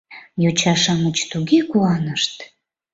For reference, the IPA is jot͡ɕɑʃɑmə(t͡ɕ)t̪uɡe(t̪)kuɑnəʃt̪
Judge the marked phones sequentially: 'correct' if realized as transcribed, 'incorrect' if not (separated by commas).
correct, incorrect